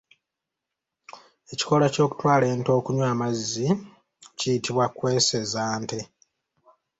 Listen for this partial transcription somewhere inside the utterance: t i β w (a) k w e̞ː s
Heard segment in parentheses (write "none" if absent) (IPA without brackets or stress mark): a